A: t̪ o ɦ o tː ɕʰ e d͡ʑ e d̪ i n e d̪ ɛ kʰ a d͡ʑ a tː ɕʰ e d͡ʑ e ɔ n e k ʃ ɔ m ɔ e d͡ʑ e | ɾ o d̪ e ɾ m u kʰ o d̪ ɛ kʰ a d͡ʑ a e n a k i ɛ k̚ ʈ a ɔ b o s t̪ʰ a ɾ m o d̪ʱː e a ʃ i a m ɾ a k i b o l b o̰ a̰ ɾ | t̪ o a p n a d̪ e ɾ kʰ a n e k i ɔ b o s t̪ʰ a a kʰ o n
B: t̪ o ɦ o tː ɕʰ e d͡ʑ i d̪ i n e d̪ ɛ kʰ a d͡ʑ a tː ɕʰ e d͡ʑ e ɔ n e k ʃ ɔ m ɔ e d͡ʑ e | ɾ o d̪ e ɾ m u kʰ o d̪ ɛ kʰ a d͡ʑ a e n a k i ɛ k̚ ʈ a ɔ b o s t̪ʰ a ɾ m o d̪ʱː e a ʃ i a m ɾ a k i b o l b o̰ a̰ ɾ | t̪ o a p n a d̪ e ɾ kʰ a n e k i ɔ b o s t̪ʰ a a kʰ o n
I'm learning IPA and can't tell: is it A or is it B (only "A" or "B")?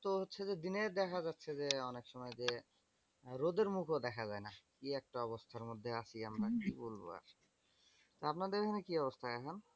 A